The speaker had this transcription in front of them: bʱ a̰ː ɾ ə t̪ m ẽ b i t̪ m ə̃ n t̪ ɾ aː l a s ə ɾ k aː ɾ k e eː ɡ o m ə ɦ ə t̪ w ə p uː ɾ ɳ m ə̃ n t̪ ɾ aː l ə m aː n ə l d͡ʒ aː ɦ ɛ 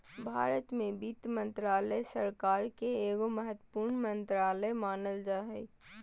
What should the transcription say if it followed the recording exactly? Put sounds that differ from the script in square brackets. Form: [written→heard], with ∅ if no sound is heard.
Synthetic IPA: bʱ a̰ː ɾ ə t̪ m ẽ b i t̪ m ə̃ n t̪ ɾ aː l [a→ə] s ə ɾ k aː ɾ k e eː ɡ o m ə ɦ ə t̪ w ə p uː ɾ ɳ m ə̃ n t̪ ɾ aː l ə m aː n ə l d͡ʒ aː ɦ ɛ